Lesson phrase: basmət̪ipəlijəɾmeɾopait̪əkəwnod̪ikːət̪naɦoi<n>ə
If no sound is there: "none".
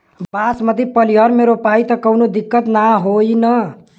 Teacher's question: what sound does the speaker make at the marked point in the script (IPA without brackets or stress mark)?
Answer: n